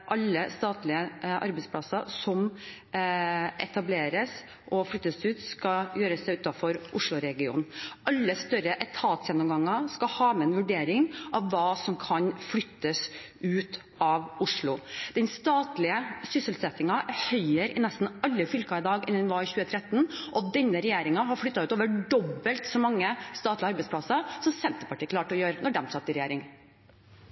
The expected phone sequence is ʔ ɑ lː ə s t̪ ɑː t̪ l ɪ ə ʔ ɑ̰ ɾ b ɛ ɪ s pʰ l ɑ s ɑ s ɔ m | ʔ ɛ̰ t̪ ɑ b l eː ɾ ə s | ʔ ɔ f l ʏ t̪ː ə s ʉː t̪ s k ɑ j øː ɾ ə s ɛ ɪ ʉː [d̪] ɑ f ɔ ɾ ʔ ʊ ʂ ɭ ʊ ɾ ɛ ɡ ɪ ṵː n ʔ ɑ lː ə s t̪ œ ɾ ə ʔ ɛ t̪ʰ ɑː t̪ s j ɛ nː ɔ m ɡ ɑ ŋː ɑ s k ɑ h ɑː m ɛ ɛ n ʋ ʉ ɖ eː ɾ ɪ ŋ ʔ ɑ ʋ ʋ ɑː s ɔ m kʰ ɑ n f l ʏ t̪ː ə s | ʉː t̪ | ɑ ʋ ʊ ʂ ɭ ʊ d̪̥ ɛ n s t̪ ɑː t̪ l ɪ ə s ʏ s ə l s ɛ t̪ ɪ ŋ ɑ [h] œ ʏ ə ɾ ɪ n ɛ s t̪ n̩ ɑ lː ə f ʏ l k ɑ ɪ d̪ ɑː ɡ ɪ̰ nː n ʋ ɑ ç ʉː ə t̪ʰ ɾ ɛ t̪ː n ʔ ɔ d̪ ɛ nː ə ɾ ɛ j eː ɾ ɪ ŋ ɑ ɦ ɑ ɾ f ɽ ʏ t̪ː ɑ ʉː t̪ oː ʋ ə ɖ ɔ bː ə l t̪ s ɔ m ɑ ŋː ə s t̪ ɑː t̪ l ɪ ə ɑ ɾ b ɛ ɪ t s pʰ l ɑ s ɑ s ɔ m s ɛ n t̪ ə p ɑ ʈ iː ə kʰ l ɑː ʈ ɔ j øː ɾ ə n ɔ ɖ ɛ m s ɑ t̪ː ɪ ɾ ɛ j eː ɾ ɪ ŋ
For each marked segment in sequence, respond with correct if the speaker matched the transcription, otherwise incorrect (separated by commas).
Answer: incorrect, correct